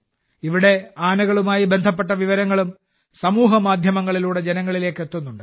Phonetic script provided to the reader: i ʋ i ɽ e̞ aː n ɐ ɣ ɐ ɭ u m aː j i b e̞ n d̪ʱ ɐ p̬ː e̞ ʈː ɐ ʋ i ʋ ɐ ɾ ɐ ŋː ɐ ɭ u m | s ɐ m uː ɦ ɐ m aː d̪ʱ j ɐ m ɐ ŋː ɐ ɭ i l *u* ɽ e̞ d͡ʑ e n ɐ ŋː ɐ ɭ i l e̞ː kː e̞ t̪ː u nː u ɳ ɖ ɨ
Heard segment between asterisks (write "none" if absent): uː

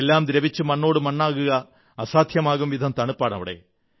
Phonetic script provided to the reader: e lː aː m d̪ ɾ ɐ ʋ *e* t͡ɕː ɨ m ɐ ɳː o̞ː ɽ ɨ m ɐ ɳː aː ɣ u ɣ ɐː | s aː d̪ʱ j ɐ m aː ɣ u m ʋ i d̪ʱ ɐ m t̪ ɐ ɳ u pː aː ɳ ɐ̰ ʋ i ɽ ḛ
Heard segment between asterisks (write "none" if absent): i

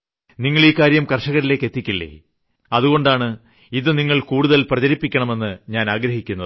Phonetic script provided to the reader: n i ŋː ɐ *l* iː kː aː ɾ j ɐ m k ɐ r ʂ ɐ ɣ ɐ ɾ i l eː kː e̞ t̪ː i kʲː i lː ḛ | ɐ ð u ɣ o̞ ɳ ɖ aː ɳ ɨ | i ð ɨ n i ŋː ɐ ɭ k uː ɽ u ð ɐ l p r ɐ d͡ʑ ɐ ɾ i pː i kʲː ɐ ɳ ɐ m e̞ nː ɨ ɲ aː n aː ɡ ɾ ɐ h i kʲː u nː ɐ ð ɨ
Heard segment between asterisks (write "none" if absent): ɭ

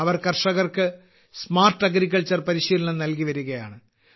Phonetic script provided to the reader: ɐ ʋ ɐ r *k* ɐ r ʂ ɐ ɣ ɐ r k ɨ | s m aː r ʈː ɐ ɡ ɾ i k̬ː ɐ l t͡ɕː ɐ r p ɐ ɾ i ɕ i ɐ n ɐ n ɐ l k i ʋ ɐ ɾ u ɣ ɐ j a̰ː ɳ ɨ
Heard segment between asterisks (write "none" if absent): k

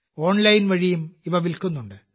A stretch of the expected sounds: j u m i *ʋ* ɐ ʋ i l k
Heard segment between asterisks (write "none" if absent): ʋ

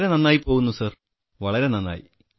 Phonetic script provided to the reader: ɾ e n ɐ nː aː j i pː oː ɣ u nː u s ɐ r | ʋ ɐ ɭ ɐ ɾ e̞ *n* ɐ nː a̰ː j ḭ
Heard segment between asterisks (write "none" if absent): n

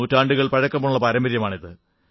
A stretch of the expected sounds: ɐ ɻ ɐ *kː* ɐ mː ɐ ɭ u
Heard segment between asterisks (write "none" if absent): kː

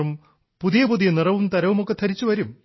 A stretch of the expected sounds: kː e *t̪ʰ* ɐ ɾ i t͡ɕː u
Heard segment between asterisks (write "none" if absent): t̪ʰ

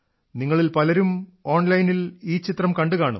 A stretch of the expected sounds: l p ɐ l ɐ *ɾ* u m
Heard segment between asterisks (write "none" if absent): ɾ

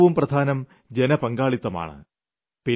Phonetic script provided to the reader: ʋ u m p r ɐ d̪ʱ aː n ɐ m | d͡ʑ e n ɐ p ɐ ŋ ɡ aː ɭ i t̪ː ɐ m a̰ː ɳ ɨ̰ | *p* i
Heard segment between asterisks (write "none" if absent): p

